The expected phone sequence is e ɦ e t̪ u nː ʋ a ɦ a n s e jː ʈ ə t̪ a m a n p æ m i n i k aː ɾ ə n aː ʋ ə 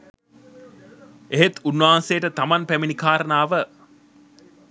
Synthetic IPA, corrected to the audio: e ɦ e t̪ u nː ʋ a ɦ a n s e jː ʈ ə t̪ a m a n p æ m i n i k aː ɾ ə n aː ʋ ə